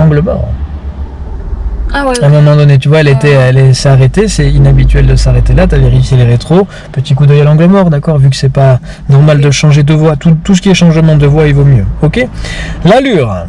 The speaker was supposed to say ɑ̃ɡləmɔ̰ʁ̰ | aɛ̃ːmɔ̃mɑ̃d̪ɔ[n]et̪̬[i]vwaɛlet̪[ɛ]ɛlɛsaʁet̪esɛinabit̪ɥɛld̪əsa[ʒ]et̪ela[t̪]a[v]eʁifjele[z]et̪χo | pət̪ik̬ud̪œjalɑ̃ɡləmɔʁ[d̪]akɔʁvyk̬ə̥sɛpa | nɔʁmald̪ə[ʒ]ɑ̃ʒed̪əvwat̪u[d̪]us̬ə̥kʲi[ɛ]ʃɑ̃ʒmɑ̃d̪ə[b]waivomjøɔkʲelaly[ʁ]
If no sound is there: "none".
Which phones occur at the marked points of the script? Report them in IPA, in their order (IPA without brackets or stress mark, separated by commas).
n, y, ɛ, ʁ, t̪, v, ʁ, d̪, ʃ, t̪, ɛ, v, ʁ